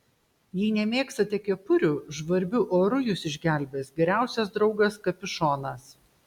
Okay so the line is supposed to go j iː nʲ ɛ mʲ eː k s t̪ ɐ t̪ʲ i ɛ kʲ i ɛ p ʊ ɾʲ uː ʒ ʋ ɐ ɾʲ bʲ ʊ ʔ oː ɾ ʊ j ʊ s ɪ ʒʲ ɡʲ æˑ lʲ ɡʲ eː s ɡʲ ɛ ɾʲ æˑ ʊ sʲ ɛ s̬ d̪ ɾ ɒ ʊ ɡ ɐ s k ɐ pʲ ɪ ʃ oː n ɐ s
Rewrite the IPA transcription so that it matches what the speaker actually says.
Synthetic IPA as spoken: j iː nʲ ɛ mʲ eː k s t̪ ɐ t̪ʲ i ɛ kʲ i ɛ p ʊ ɾʲ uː ʒ ʋ ɐ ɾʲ bʲ ʊ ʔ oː ɾ ʊ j ʊ s ɪ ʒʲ ɡʲ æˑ lʲ bʲ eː s ɡʲ ɛ ɾʲ æˑ ʊ sʲ ɛ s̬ d̪ ɾ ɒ ʊ ɡ ɐ s k ɐ pʲ ɪ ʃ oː n ɐ s